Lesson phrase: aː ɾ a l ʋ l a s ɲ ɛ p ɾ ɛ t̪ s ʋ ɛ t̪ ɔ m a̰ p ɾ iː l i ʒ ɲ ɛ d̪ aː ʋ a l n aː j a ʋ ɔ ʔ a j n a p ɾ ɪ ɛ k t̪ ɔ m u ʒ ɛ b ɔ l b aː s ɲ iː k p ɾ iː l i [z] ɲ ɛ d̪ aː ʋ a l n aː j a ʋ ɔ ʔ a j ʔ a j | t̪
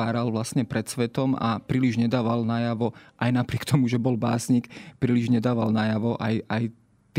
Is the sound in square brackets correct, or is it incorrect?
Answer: incorrect